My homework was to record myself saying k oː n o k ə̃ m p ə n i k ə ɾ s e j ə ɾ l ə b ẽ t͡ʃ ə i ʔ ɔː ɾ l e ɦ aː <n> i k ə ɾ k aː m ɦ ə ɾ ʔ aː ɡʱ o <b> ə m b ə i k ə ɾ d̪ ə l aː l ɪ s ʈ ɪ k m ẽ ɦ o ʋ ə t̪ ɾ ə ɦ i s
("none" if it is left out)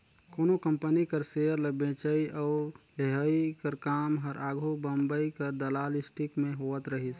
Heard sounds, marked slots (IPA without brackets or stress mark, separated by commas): none, b